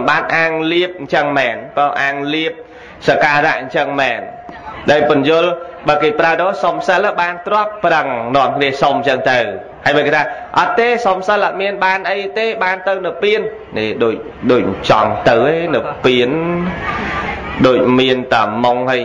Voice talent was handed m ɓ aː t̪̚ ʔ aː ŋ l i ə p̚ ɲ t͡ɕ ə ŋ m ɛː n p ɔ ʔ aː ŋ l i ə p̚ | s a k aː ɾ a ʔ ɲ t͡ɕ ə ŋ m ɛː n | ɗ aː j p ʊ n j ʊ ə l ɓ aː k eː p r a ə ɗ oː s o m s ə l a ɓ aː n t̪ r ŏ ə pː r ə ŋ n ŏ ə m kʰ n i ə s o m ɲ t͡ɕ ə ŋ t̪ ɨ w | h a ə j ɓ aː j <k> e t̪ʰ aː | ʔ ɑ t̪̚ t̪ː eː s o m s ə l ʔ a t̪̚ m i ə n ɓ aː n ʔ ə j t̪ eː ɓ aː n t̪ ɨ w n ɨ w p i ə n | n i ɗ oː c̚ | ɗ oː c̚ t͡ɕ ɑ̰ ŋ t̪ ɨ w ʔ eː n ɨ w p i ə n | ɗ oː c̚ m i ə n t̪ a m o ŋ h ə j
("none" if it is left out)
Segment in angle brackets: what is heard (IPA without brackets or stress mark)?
k